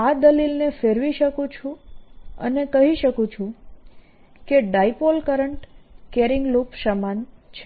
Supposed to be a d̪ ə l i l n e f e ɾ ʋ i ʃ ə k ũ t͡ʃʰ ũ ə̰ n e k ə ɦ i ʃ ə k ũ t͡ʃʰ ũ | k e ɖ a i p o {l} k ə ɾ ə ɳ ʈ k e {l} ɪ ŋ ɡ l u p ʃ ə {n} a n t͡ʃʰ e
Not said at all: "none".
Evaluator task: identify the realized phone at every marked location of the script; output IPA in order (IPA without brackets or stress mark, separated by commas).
l, ɾ, m